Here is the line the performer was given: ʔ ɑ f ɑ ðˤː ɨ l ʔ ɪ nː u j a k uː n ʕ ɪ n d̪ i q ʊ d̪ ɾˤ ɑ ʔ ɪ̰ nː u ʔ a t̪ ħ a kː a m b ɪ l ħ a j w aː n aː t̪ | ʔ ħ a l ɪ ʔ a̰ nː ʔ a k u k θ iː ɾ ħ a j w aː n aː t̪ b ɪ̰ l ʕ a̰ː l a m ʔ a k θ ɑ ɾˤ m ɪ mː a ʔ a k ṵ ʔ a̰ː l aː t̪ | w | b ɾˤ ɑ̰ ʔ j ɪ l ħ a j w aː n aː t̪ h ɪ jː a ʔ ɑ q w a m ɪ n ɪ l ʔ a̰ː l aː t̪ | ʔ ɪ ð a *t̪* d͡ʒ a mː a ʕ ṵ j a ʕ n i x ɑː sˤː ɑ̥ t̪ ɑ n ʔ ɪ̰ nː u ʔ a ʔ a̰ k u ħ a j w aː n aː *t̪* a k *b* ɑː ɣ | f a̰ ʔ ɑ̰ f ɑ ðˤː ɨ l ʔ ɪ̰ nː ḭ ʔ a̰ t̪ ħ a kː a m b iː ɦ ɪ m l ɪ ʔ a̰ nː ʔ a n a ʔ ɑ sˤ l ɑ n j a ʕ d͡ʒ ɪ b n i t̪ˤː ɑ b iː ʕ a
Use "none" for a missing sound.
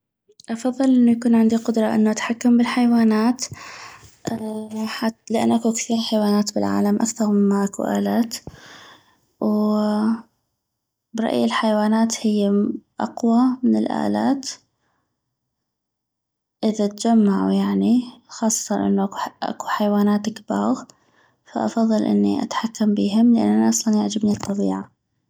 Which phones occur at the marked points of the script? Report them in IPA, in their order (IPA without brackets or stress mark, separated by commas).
t̪, t̪, b